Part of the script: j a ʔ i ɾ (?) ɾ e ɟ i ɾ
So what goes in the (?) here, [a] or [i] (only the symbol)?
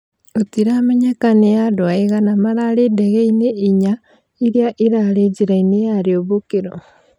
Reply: a